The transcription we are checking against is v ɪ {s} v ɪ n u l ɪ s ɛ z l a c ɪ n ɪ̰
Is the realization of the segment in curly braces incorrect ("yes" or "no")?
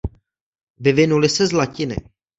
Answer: yes